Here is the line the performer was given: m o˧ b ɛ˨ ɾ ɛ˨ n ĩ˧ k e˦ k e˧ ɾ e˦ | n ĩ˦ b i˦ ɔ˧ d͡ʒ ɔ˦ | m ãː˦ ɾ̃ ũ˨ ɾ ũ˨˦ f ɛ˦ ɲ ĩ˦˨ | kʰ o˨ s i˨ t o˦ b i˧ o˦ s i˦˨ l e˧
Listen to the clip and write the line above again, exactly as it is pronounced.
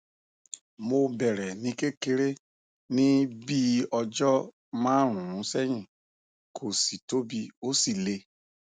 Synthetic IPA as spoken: m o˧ b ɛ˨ ɾ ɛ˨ n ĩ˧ k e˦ k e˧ ɾ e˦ | n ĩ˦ b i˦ ɔ˧ d͡ʒ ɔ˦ | m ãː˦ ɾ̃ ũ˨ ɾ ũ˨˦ s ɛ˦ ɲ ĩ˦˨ | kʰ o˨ s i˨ t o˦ b i˧ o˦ s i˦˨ l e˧

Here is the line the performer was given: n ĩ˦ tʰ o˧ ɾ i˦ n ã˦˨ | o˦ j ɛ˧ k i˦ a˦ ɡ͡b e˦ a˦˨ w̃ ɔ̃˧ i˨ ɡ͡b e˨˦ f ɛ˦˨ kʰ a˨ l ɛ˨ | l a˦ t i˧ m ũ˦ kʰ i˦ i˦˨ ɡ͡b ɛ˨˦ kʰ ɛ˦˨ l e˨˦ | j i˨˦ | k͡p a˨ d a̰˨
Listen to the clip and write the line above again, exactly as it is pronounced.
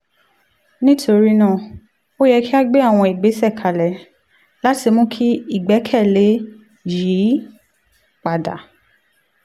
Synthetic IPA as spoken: n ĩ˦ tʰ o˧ ɾ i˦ n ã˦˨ | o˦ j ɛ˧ k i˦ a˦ ɡ͡b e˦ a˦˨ w̃ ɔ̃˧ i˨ ɡ͡b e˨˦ s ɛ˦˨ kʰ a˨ l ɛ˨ | l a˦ t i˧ m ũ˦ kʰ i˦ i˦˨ ɡ͡b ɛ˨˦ kʰ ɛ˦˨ l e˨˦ | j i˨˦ | k͡p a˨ d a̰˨

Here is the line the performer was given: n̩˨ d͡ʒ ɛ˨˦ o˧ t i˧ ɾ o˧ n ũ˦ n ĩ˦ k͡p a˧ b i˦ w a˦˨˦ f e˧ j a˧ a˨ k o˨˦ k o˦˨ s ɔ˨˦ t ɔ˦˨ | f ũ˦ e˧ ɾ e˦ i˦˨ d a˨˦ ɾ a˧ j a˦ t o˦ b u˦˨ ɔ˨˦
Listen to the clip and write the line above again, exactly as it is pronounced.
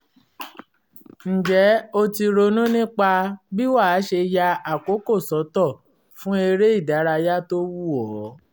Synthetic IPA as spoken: n̩˨ d͡ʒ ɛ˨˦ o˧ t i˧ ɾ o˧ n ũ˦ n ĩ˦ k͡p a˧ b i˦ w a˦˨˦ ʃ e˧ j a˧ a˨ k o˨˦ k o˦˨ s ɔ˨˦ t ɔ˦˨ | f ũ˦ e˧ ɾ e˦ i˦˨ d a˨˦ ɾ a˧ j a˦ t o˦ w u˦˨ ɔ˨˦

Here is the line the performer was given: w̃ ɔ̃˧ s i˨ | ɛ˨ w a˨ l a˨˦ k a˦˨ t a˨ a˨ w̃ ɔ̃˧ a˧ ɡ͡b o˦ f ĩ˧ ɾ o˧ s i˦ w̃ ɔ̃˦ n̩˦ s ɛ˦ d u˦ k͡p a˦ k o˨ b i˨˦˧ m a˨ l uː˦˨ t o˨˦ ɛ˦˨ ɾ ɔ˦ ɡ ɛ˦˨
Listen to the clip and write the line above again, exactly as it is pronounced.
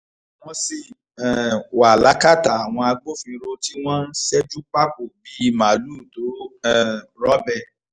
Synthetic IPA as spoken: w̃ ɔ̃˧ s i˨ | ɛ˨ w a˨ l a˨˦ k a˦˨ t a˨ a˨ w̃ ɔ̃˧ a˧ ɡ͡b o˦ f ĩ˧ ɾ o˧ t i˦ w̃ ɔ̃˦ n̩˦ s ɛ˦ d͡ʒ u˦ k͡p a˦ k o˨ b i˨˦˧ m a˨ l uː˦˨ t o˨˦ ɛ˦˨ ɾ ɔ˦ b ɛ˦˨

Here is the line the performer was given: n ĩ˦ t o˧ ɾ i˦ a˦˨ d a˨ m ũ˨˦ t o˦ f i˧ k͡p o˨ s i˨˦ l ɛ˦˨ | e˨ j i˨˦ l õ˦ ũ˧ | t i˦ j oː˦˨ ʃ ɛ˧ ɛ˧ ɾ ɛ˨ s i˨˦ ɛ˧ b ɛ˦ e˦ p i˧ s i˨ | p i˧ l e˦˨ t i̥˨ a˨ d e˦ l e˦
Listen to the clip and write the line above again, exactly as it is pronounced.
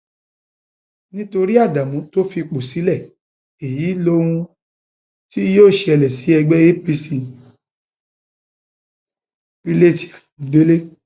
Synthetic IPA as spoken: n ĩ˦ t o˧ ɾ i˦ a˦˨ d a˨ m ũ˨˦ t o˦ f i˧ k͡p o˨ s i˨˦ l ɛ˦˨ | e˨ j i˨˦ l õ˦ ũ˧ | t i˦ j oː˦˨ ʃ e˧ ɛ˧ l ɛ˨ s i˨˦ ɛ˧ ɡ͡b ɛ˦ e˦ p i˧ s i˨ | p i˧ l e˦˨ t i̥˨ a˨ d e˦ l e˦

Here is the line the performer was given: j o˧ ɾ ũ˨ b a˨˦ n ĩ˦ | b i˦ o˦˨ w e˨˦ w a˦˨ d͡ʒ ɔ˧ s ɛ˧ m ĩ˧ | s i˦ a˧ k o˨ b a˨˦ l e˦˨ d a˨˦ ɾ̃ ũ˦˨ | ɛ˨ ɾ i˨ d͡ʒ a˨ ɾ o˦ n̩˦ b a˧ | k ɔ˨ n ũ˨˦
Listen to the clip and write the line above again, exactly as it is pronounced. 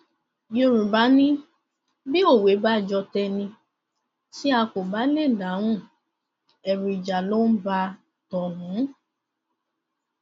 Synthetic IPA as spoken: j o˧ ɾ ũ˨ b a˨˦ n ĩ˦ | b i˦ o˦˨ w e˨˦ b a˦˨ d͡ʒ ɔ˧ t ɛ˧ n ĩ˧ | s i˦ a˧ k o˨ b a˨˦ l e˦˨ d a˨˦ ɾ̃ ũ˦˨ | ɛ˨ ɾ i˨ d͡ʒ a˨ l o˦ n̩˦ b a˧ | t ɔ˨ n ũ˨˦

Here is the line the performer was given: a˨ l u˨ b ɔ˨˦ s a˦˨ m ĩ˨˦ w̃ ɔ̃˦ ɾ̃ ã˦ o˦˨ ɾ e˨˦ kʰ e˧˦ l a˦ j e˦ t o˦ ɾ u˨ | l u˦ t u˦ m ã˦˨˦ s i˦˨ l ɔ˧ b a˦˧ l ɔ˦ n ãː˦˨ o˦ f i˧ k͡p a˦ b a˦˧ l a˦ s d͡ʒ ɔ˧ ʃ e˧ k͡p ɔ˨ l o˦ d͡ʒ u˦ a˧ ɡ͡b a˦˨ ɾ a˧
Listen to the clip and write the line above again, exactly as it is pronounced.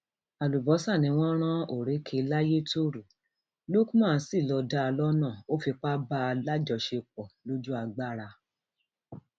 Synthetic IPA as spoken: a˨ l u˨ b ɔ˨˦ s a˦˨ n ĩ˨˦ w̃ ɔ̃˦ ɾ̃ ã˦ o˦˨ ɾ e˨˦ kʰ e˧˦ l a˦ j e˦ t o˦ ɾ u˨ | l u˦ k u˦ m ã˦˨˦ s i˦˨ l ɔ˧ d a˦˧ l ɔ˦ n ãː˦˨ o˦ f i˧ k͡p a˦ b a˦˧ l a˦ d͡ʒ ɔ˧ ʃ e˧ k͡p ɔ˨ l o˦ d͡ʒ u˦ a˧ ɡ͡b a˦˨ ɾ a˧

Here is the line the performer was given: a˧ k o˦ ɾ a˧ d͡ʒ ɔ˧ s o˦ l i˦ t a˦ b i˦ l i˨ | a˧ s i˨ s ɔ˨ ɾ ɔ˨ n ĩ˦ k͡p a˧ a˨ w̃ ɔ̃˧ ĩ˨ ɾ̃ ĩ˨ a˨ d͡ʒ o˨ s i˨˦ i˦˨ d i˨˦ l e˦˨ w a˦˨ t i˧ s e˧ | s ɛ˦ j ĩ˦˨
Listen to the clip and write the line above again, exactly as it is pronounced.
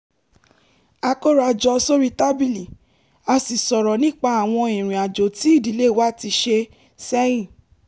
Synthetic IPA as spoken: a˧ k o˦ ɾ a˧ d͡ʒ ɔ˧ s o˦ ɾ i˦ t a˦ b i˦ l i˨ | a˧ s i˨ s ɔ˨ ɾ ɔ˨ n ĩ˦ k͡p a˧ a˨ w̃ ɔ̃˧ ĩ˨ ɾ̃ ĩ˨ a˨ d͡ʒ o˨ t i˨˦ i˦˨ d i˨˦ l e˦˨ w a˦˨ t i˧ ʃ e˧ | s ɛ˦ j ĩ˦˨

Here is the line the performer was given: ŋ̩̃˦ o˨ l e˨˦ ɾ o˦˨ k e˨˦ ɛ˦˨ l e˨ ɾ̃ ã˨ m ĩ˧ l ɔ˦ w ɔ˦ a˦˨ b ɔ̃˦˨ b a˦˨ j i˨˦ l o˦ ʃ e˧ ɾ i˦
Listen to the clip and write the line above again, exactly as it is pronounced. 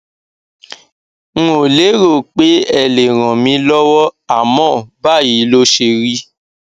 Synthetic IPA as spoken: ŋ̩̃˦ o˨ l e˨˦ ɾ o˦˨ k͡p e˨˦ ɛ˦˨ l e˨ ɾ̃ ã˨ m ĩ˧ l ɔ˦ w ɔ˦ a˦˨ m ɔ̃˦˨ b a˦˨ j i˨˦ l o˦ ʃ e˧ ɾ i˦

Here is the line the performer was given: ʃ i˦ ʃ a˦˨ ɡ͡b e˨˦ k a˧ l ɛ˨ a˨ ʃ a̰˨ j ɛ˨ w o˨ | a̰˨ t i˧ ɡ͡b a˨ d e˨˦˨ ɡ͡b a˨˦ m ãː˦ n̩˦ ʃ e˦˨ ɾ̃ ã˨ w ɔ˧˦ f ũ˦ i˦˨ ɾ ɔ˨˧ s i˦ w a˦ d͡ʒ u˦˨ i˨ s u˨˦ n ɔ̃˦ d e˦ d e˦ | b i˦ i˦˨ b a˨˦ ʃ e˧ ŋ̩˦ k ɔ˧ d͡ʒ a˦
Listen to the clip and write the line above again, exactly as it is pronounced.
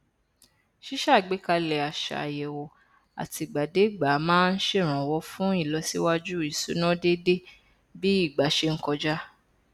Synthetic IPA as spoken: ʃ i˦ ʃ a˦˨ ɡ͡b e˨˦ k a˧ l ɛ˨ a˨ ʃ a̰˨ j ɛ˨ w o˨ | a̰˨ t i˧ ɡ͡b a˨ d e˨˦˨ ɡ͡b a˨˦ m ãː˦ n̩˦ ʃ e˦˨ ɾ̃ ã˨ w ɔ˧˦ f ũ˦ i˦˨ l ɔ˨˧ s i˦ w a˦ d͡ʒ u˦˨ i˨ s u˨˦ n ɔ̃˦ d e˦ d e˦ | b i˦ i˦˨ ɡ͡b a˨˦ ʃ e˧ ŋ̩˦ k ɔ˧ d͡ʒ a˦

